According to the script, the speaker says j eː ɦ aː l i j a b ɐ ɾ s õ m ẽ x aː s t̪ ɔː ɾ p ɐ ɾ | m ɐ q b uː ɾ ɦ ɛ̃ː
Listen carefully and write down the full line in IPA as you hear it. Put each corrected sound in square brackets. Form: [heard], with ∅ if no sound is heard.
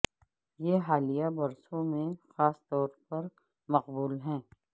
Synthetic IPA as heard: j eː ɦ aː l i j a b ɐ ɾ s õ m ẽ x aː s t̪ ɔː ɾ p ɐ ɾ | m ɐ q b uː [l] ɦ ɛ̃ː